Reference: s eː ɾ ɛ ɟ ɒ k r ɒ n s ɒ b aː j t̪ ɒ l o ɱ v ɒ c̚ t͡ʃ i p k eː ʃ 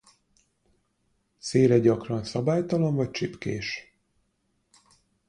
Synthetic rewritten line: s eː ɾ ɛ ɟ ɒ k r ɒ n s ɒ b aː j t̪ ɒ l o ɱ v ɒ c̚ t͡ʃ i p k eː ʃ